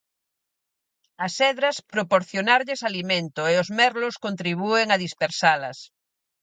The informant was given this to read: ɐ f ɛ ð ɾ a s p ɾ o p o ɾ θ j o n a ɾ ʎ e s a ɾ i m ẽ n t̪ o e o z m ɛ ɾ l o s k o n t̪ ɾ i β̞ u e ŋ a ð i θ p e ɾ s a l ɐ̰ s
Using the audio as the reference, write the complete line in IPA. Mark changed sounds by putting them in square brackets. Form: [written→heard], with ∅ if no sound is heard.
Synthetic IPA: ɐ [f→s] ɛ ð ɾ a s p ɾ o p o ɾ θ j o n a ɾ ʎ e s a [ɾ→l] i m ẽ n t̪ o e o z m ɛ ɾ l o s k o n t̪ ɾ i β̞ u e ŋ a ð i [θ→s] p e ɾ s a l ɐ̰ s